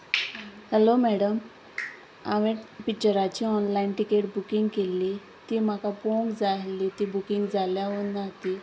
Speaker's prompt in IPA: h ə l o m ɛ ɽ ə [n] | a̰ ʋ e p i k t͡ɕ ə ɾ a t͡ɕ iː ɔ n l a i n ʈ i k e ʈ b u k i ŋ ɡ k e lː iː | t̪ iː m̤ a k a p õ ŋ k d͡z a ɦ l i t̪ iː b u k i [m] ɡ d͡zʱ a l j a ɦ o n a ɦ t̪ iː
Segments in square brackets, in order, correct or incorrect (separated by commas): incorrect, incorrect